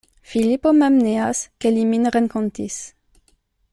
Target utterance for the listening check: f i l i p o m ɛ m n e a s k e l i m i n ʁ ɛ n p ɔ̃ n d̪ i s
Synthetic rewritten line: f i l i p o m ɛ m n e a s k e l i m i n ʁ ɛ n k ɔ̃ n t̪ i s